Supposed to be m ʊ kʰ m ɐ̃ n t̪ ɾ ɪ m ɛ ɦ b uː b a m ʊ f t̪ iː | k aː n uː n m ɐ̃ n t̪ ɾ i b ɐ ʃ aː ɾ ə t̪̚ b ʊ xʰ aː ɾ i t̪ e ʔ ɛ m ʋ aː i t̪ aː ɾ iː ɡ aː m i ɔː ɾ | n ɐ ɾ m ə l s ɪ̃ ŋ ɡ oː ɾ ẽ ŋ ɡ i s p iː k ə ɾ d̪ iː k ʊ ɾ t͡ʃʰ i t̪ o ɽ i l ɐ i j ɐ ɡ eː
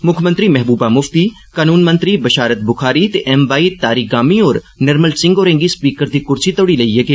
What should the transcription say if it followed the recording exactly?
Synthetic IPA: m ʊ kʰ m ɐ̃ n t̪ ɾ i m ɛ ɦ b uː b a m ʊ f t̪ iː | k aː n uː n m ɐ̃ n t̪ ɾ i b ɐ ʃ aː ɾ ə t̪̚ b ʊ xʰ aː ɾ i t̪ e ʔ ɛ m ʋ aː i t̪ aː ɾ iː ɡ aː m i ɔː ɾ | n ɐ ɾ m ə l s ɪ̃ ŋ ɡ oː ɾ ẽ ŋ ɡ i s p iː k ə ɾ d̪ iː k ʊ ɾ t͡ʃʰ i t̪ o ɽ i l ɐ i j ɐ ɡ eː